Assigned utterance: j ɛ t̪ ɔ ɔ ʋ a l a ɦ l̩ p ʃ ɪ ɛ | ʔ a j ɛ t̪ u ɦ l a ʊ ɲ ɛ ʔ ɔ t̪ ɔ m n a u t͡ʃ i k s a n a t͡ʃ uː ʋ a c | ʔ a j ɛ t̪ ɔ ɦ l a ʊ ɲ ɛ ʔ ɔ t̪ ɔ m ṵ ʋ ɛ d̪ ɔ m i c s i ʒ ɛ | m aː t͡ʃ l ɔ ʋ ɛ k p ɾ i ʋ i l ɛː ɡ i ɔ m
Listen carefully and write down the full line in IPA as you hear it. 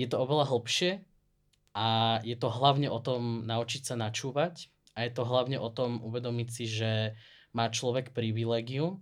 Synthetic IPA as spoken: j ɛ t̪ ɔ ɔ ʋ ɛ l a ɦ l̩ p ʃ ɪ ɛ | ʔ a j ɛ t̪ ɔ ɦ l a ʊ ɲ ɛ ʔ ɔ t̪ ɔ m n a u t͡ʃ i c s a n a t͡ʃ uː ʋ a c | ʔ a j ɛ t̪ ɔ ɦ l a ʊ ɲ ɛ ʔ ɔ t̪ ɔ m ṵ ʋ ɛ d̪ ɔ m i c s i ʒ ɛ | m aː t͡ʃ l ɔ ʋ ɛ k p ɾ i ʋ i l ɛː ɡ i u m